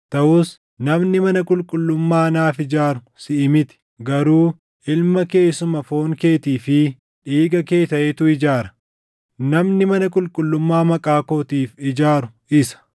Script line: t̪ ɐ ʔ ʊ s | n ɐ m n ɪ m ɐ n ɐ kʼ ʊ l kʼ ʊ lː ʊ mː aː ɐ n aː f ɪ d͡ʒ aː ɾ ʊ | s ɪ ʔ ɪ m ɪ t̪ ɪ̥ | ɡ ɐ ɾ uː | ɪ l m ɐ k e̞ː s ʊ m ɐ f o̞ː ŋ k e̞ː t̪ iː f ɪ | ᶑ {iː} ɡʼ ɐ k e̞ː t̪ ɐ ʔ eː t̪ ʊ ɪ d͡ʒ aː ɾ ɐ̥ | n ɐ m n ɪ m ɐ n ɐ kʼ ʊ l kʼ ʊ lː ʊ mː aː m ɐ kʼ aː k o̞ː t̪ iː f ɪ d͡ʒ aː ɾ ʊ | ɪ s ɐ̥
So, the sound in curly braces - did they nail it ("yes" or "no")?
yes